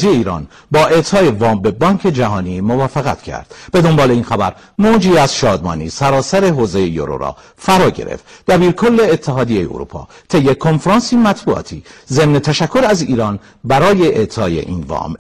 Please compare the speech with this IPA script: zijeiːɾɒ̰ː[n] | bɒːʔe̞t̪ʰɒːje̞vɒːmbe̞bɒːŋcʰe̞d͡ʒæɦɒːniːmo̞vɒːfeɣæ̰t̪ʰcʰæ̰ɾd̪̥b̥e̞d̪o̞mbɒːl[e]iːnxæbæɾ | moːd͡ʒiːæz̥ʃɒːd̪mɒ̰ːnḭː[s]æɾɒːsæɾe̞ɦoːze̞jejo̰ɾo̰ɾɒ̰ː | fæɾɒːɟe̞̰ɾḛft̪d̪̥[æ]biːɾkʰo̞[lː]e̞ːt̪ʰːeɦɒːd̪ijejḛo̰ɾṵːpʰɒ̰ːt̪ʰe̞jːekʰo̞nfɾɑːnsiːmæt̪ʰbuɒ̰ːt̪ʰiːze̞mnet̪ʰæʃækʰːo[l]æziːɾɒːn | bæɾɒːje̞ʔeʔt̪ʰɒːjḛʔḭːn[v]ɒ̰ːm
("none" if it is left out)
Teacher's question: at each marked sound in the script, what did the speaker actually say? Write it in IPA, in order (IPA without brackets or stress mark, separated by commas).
n, e, s, æ, lː, ɾ, v